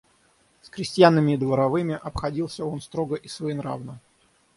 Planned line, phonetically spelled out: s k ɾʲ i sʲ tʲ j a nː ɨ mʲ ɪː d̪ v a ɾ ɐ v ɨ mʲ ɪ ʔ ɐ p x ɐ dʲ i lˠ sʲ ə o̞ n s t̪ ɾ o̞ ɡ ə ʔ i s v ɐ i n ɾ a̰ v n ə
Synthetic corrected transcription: s k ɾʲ ɪ sʲ tʲ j a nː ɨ mʲ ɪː d̪ v ə ɾ ɐ v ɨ mʲ ɪ ʔ ɐ p x ɐ dʲ i lˠ sʲ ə o̞ n s t̪ ɾ o̞ ɡ ə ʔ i s v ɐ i n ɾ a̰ v n ə